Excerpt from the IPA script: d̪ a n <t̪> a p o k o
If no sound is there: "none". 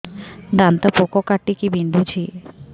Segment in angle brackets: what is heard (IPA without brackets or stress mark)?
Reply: t̪